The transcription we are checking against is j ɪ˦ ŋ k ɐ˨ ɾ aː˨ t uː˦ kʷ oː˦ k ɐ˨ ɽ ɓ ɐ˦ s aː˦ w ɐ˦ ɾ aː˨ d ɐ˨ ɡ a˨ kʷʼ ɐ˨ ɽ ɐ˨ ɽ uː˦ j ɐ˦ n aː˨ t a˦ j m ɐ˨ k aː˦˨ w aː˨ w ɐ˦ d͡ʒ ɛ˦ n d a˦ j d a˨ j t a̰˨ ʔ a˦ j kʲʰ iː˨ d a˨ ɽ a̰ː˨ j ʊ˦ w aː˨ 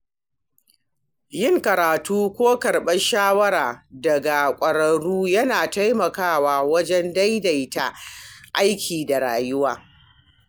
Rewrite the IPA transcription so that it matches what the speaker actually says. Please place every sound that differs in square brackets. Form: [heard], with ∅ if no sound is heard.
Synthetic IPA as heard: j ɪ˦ ŋ k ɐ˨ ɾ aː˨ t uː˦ kʷ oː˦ k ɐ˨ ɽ ɓ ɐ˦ [ʃ] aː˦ w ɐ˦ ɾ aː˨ d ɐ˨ ɡ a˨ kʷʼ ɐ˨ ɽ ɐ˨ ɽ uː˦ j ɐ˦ n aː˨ t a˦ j m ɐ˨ k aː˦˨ w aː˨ w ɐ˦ d͡ʒ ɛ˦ n d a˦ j d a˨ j t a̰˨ ʔ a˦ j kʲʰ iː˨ d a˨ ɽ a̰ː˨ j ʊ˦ w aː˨